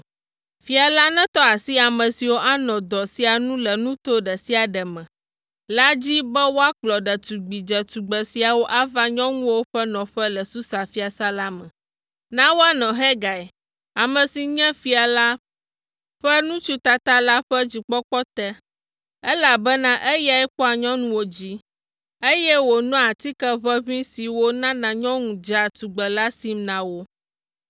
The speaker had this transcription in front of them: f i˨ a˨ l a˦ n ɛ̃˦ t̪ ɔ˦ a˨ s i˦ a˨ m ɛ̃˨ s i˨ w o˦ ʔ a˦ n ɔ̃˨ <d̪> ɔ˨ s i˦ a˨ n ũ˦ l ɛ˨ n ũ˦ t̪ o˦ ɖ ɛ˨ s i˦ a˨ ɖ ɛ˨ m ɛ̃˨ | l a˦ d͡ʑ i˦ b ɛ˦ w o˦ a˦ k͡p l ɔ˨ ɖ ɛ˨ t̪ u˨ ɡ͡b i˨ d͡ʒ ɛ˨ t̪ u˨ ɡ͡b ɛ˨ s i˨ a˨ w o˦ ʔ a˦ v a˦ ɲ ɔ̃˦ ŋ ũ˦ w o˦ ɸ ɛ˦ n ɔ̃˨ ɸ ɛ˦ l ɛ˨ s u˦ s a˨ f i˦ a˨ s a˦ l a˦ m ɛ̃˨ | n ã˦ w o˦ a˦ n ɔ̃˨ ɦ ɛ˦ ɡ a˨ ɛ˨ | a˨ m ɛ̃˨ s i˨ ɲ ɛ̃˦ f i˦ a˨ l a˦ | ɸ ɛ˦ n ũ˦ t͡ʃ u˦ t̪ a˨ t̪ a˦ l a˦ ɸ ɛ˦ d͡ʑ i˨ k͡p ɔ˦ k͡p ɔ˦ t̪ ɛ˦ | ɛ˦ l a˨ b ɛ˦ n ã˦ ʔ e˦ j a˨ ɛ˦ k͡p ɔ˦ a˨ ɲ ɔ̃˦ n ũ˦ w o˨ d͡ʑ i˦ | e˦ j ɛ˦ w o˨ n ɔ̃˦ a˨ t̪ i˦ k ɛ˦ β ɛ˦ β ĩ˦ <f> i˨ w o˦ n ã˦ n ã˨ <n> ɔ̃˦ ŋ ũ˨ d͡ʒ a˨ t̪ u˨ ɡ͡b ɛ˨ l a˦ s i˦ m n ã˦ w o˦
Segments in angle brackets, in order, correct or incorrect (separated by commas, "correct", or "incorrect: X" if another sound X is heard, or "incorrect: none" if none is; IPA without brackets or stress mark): correct, incorrect: s, incorrect: ɲ